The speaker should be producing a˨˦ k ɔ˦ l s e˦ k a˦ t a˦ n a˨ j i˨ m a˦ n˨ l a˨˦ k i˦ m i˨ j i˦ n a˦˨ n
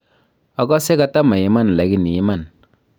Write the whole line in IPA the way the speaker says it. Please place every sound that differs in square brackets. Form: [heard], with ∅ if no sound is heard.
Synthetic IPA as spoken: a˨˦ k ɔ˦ [∅] s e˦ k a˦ t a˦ [m] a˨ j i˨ m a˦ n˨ l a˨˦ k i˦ [n] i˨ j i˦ [m] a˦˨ n